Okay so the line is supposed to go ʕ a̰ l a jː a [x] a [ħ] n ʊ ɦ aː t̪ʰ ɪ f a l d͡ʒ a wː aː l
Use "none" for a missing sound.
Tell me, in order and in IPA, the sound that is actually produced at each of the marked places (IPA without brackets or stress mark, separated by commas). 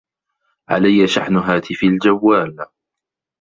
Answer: ʃ, ħ